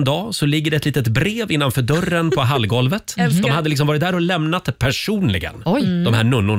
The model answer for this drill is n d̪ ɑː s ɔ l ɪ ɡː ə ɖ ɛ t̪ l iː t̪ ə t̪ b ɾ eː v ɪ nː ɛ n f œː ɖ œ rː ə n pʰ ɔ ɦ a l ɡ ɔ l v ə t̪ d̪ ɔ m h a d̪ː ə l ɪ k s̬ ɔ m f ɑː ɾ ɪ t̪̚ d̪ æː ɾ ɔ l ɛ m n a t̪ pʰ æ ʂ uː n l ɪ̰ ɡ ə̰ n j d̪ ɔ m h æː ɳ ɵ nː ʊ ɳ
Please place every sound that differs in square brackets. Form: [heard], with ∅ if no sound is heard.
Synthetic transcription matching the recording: n d̪ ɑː s ɔ l ɪ ɡː ə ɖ ɛ t̪ l iː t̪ ə t̪ b ɾ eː v ɪ nː [a] n f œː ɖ œ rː ə n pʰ ɔ ɦ a l ɡ ɔ l v ə t̪ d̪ ɔ m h a d̪ː ə l ɪ k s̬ ɔ m [v] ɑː ɾ ɪ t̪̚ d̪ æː ɾ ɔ l ɛ m n a t̪ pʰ æ ʂ uː n l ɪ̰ ɡ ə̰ n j d̪ ɔ m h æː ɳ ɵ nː ʊ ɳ